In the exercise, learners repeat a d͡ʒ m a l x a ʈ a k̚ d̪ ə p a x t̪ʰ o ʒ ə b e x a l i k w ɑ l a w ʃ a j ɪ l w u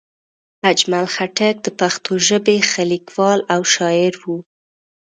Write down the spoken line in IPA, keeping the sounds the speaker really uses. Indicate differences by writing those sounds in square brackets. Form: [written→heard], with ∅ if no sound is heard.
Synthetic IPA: a d͡ʒ m a l x a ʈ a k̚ d̪ ə p a x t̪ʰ o ʒ ə b e x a l i k w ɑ l a w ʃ [a→ɑ] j ɪ [l→ɾ] w u